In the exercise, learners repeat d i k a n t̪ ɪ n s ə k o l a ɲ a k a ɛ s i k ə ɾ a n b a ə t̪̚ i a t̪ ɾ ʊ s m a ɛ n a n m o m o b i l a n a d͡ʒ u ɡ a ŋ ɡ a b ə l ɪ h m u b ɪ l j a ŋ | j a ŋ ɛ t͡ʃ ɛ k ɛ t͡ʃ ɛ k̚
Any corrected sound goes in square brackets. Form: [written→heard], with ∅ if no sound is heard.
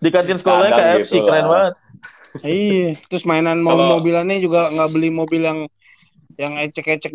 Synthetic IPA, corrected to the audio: d i k a n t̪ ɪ n s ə k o l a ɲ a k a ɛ s i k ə ɾ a n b a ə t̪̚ i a t̪ ɾ ʊ s m a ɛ n a n m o m o b i l a n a d͡ʒ u ɡ a ŋ ɡ a b ə l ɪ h m [u→o] b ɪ l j a ŋ | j a ŋ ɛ t͡ʃ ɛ k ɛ t͡ʃ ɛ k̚